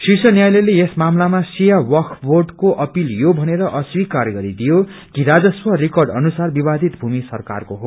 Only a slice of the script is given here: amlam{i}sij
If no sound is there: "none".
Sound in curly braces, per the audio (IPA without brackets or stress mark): a